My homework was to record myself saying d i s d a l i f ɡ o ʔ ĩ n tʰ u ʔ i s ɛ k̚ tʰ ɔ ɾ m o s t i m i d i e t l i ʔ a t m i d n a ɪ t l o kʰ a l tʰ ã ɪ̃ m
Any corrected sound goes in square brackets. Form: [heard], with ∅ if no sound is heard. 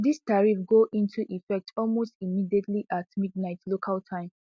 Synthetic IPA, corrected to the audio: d i s [t] a [ɹ] i f ɡ o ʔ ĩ n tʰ u ʔ i [f] ɛ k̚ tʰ ɔ [l] m o s t i m i d i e t l i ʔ a t m i d n a ɪ t l o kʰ a l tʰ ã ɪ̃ m